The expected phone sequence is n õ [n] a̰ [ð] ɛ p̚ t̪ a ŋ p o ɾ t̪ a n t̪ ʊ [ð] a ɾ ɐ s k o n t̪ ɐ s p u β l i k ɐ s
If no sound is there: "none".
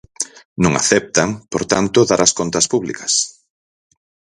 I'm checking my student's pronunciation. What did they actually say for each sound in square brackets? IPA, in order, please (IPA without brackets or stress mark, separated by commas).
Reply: ŋ, θ, ð